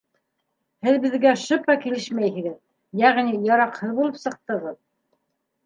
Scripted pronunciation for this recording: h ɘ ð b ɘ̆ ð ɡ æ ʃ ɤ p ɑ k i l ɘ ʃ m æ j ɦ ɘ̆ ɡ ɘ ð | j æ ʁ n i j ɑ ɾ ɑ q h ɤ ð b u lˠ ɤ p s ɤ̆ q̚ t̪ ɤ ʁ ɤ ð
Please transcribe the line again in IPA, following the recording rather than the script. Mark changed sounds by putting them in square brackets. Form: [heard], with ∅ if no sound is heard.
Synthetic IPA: h ɘ ð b ɘ̆ ð ɡ æ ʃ ɤ p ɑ k i l ɘ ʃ m æ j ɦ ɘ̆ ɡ ɘ ð | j æ ʁ n i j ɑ ɾ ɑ q h ɤ ð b u lˠ ɤ p s ɤ̆ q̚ t̪ ɤ ʁ ɤ ð